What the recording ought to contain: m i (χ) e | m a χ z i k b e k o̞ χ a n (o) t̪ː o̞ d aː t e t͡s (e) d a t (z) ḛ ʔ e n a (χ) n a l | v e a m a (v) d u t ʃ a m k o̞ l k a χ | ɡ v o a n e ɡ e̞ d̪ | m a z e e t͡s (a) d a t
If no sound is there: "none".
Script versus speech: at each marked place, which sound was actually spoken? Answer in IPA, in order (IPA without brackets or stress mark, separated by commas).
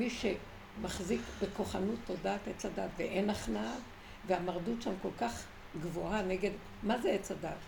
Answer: ʃ, u, a, v, χ, ʁ, a